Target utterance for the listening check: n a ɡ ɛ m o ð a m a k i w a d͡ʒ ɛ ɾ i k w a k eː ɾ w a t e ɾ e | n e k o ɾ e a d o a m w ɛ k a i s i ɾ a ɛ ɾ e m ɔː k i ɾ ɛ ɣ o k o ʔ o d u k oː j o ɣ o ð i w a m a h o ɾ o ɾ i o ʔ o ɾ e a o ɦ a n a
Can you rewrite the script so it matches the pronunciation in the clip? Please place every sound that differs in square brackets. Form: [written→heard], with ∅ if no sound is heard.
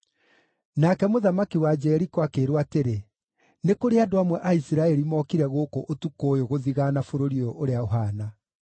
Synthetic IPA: n a [ɡ→k] ɛ m o ð a m a k i w a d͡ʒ ɛ ɾ i k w a k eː ɾ w a t e ɾ e | n e k o ɾ e a d o a m w ɛ [k→ʔ] a i s i ɾ a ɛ ɾ [e→i] m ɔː k i ɾ ɛ ɣ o k o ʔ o [d→t] u k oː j o ɣ o ð i [w→ɣ] a [m→n] a [h→f] o ɾ o ɾ i o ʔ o ɾ e a o ɦ a n a